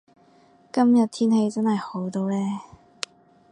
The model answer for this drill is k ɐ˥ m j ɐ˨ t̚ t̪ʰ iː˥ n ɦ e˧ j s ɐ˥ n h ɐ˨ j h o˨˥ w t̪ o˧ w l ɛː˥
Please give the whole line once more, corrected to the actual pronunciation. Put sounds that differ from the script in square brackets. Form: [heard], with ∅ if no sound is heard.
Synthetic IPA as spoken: k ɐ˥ m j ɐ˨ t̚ t̪ʰ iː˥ n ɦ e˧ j [t͡s] ɐ˥ n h ɐ˨ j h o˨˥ w t̪ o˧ w l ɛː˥